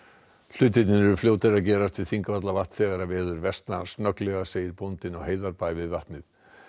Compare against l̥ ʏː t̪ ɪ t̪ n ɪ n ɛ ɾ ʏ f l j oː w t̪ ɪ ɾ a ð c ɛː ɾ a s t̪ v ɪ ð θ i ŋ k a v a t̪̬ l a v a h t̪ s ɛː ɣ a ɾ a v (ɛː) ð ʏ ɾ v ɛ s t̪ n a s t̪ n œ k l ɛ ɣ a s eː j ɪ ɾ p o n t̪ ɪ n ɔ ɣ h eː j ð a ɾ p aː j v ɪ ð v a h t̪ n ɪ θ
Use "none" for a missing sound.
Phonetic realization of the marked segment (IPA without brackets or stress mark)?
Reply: ɛː